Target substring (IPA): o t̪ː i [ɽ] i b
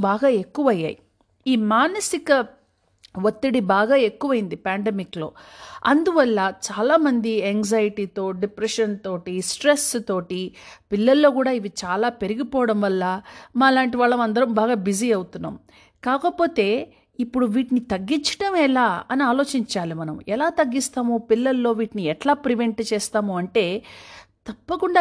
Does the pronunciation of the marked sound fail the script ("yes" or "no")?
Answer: no